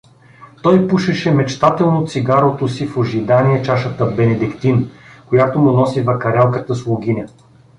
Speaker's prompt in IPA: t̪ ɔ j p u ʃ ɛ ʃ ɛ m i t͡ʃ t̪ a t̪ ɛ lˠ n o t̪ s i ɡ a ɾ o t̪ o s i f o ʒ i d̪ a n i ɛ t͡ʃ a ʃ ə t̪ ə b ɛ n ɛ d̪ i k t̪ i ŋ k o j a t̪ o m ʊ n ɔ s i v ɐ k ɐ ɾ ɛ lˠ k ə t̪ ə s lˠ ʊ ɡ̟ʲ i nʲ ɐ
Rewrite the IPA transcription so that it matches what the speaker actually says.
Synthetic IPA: t̪ ɔ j p u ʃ ɛ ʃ ɛ m ɛ t͡ʃ t̪ a t̪ ɛ lˠ n o t̪ s i ɡ a ɾ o t̪ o s i f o ʒ i d̪ a n i ɛ t͡ʃ a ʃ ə t̪ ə b ɛ n ɛ d̪ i k t̪ i n k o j a t̪ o m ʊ n ɔ s i v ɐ k ɐ ɾ ɛ lˠ k ə t̪ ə s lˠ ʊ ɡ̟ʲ i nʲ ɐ